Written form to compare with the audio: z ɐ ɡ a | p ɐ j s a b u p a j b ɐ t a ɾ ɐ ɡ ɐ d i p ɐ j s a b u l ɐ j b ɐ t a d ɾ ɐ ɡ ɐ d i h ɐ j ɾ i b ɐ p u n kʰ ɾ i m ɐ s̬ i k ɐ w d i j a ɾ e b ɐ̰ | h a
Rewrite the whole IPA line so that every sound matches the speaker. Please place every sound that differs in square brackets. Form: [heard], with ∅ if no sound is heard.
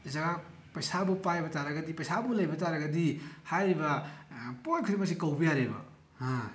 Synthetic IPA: z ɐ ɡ a | p ɐ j s a b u p a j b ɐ t a ɾ ɐ ɡ ɐ d i p ɐ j s a b u l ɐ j b ɐ t a [∅] ɾ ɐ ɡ ɐ d i h [a] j ɾ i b ɐ p [o] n kʰ ɾ i m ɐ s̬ i k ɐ w [b] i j a ɾ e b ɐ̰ | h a